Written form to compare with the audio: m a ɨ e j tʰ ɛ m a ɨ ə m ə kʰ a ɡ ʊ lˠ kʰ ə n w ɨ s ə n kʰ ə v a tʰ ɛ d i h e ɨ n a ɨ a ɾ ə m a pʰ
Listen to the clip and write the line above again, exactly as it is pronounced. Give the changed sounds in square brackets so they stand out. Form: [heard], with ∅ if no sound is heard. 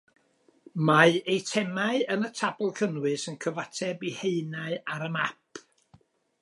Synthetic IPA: m a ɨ e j tʰ ɛ m a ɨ ə [n] ə [tʰ] a [b] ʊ lˠ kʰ ə n w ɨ s ə n kʰ ə v a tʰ ɛ [b] i h e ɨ n a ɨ a ɾ ə m a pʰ